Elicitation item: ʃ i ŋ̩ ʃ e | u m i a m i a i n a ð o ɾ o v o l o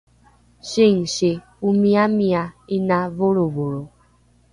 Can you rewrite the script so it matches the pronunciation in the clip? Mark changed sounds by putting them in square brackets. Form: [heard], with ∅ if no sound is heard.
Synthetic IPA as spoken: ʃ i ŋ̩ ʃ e | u m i a m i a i n a [v] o ɾ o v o [ɾ] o